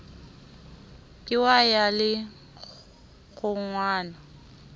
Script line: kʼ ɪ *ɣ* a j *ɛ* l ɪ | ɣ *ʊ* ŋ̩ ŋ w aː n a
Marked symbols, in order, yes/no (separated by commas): no, no, yes